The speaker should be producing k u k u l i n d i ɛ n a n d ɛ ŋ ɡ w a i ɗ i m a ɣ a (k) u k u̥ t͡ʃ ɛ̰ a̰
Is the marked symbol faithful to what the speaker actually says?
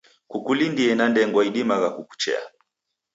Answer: yes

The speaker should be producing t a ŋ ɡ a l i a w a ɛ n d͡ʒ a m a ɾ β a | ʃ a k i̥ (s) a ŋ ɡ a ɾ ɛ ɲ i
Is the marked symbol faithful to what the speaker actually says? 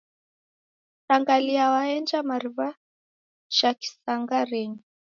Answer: yes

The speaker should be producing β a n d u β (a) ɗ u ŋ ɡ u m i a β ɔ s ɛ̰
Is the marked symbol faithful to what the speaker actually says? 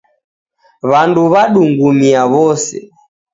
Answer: yes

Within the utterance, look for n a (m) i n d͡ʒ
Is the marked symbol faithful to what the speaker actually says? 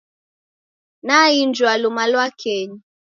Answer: no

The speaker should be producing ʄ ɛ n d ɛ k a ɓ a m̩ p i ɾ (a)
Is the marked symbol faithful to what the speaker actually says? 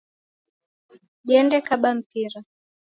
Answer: yes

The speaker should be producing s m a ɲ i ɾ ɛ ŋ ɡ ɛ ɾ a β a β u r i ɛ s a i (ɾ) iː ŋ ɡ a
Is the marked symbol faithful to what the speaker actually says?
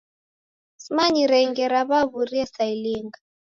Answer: no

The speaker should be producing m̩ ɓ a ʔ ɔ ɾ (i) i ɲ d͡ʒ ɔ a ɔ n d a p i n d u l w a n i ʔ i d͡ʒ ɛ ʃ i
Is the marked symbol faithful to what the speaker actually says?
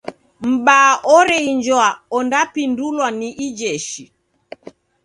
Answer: no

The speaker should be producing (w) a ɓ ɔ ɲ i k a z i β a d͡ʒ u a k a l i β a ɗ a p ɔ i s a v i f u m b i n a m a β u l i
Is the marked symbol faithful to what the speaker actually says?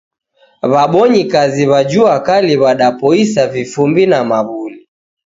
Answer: no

